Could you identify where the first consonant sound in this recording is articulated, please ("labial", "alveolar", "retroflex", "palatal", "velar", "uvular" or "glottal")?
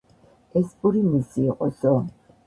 alveolar